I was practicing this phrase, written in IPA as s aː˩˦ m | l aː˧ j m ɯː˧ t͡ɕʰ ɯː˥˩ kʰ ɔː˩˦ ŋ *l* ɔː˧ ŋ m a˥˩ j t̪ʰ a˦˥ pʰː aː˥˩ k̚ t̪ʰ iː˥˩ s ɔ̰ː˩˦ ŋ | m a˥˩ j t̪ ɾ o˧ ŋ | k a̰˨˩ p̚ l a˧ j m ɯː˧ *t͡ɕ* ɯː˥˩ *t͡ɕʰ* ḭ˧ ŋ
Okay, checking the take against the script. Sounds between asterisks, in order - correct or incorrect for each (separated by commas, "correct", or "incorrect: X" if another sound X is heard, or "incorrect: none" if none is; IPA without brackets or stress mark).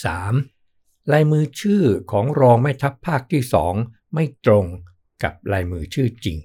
incorrect: ɾ, incorrect: t͡ɕʰ, incorrect: t͡ɕ